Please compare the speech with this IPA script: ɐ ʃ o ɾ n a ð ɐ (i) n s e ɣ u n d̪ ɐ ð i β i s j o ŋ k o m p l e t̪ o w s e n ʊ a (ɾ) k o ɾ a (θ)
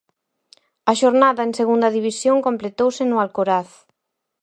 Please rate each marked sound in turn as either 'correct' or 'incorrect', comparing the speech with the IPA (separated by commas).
incorrect, incorrect, correct